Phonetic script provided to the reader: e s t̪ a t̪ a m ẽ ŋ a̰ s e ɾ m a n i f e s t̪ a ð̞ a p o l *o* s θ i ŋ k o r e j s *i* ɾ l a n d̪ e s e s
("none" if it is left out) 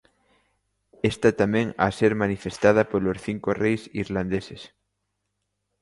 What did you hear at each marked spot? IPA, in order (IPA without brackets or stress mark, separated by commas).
o, i